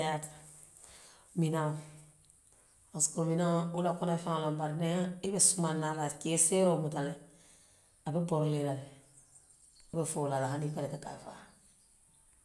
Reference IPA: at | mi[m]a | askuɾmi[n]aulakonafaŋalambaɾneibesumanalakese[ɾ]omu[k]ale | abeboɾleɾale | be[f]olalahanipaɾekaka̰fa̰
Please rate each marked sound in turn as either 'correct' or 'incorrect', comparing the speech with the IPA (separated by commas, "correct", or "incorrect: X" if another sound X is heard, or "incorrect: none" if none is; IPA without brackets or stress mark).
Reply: incorrect: n, correct, correct, incorrect: t, correct